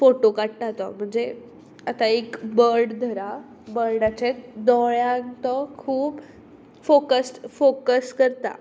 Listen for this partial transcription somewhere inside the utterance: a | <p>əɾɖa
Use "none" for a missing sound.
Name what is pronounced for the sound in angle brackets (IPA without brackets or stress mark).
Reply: b